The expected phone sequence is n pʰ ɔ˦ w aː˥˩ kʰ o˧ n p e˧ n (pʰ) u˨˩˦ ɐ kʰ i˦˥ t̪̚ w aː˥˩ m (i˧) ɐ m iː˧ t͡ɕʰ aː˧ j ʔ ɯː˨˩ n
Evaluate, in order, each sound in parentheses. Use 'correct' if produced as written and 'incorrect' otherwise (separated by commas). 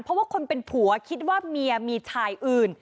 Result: correct, correct